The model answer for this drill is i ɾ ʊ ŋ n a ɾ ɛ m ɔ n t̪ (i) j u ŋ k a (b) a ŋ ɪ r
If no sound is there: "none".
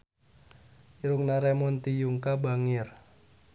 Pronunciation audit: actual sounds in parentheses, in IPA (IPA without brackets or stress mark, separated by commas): i, b